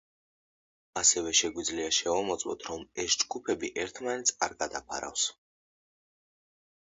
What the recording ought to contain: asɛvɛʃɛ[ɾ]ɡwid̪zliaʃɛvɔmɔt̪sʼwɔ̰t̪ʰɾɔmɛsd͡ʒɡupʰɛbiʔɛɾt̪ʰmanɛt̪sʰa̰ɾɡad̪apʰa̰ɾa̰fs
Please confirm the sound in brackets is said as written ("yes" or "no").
no